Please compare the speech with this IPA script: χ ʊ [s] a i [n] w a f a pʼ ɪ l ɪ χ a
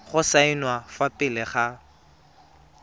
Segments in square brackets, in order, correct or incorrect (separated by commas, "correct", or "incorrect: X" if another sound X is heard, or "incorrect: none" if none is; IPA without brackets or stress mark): correct, correct